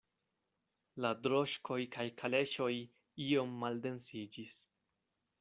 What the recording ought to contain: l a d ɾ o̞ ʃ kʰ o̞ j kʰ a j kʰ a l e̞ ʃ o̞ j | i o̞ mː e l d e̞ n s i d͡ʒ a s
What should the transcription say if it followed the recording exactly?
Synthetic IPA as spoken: l a d ɾ o̞ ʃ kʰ o̞ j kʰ a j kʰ a l e̞ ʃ o̞ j | i o̞ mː a l d e̞ n s i d͡ʒ i s